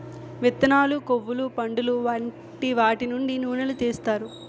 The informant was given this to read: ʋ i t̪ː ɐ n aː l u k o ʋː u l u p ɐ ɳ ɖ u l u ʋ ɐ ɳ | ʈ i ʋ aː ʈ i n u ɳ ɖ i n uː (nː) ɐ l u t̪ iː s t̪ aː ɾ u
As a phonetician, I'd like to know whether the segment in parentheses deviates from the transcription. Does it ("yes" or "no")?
yes